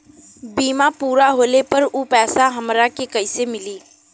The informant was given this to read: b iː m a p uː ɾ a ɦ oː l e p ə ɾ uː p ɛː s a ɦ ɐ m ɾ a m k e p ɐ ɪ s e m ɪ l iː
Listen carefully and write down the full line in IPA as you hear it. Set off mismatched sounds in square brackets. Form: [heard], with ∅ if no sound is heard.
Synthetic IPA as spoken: b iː m a p uː ɾ a ɦ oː l e p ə ɾ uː p ɛː s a ɦ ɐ m ɾ a [∅] k e [k] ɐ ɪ s e m ɪ l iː